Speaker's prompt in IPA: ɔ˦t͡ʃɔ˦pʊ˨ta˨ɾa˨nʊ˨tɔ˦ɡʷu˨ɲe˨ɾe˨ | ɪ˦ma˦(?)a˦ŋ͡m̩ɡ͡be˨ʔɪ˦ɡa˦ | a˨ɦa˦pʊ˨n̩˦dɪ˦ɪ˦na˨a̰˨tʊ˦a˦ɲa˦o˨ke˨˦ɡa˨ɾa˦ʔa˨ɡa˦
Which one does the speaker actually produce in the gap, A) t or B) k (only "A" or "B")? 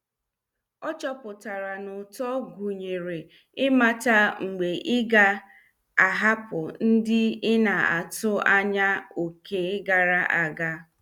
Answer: A